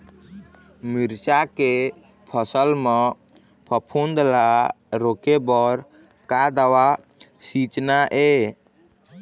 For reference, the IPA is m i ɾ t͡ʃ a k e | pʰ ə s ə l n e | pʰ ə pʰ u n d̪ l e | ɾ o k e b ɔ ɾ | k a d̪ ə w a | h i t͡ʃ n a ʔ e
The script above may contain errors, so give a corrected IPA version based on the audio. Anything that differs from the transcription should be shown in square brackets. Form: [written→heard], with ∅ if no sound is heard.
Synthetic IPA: m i ɾ t͡ʃ a k e | pʰ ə s ə l [n→m] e | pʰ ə pʰ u n d̪ l [e→a] | ɾ o k e b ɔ ɾ | k a d̪ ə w a | [h→s] i t͡ʃ n a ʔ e